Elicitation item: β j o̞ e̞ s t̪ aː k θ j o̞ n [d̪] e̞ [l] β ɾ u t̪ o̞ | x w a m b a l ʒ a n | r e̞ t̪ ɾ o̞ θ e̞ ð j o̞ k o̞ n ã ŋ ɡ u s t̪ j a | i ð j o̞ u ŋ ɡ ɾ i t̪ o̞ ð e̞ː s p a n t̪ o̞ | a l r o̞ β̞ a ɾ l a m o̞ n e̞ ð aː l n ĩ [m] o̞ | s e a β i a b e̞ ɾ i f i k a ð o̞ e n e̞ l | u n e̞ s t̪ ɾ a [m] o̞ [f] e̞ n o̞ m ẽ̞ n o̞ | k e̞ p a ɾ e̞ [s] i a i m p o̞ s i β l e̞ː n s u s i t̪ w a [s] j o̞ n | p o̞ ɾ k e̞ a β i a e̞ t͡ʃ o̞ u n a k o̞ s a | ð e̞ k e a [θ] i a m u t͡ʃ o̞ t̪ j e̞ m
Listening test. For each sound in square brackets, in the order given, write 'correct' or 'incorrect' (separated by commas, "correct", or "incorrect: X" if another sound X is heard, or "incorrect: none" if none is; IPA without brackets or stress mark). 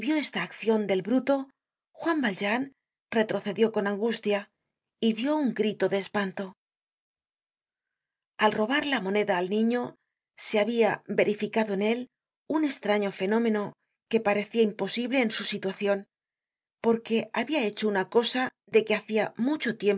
correct, correct, incorrect: ɲ, incorrect: ɲ, correct, incorrect: θ, incorrect: θ, correct